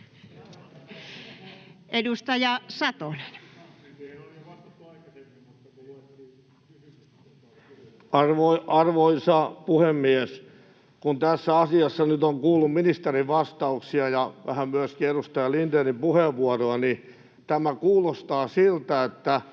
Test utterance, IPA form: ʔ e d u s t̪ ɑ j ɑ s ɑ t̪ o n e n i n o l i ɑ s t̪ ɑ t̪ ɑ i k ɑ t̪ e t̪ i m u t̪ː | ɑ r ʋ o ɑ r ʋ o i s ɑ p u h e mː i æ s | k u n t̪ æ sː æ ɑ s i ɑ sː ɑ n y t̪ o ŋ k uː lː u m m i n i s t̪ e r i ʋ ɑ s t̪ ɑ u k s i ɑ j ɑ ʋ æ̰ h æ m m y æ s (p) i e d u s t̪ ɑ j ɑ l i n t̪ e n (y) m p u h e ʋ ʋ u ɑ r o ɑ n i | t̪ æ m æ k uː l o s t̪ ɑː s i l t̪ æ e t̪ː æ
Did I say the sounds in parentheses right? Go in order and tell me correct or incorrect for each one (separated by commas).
incorrect, incorrect